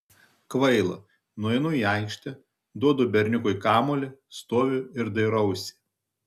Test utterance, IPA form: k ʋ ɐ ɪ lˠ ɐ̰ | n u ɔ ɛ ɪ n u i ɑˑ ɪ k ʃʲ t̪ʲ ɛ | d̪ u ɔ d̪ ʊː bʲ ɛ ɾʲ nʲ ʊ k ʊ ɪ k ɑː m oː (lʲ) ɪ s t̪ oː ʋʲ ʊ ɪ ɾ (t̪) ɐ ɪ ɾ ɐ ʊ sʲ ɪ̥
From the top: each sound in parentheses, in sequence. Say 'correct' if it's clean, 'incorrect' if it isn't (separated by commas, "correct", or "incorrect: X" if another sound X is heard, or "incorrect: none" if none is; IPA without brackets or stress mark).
correct, incorrect: d̪